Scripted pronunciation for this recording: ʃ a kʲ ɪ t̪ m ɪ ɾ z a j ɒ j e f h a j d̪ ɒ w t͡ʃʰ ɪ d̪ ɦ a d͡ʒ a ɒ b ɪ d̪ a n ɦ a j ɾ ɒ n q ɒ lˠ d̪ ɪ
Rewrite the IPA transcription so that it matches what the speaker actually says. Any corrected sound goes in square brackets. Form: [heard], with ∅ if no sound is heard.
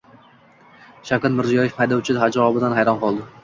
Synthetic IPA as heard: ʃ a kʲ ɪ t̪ m ɪ ɾ z [i] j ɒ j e f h a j d̪ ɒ w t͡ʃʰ ɪ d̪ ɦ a d͡ʒ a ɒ b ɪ d̪ a n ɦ a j ɾ ɒ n q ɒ lˠ d̪ ɪ